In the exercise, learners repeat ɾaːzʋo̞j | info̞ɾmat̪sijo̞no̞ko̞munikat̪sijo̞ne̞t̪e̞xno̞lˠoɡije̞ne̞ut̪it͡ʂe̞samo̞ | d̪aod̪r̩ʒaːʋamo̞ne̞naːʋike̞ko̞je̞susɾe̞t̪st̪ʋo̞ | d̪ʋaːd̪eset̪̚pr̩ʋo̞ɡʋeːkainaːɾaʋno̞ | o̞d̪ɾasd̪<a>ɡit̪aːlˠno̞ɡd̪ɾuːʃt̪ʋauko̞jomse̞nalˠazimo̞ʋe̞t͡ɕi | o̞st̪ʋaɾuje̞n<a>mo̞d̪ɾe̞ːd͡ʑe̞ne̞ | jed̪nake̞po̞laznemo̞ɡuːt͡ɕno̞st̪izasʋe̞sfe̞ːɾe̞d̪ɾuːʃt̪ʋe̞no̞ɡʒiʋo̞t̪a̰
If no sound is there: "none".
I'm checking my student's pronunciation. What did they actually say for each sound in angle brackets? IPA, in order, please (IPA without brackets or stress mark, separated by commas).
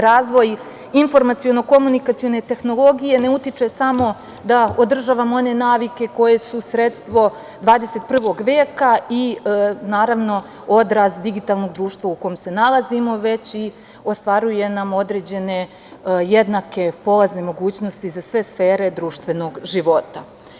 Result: i, a